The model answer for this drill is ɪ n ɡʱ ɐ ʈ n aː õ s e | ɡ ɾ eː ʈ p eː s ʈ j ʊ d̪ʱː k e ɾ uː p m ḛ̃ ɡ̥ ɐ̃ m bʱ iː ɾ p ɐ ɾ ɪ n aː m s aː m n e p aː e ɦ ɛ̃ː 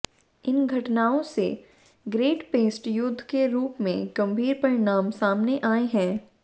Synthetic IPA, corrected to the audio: ɪ n ɡʱ ɐ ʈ n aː õ s e | ɡ ɾ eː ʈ p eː s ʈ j ʊ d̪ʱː k e ɾ uː p m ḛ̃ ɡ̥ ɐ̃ m bʱ iː ɾ p ɐ ɾ ɪ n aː m s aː m n e ʔ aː e ɦ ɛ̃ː